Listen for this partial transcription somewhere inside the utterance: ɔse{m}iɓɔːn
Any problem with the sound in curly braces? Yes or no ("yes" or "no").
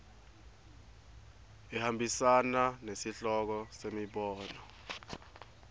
no